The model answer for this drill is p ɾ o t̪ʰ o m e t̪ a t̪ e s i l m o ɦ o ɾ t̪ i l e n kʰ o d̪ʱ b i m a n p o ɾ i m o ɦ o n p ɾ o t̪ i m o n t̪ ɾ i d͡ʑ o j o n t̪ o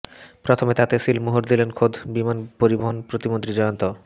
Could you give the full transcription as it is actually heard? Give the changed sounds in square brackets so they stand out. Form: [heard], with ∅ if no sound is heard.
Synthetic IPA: p ɾ o t̪ʰ o m e t̪ a t̪ e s i l m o ɦ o ɾ [d̪] i l e n kʰ o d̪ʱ b i m a n p o ɾ i [b] o ɦ o n p ɾ o t̪ i m o n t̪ ɾ i d͡ʑ [ɔ] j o n t̪ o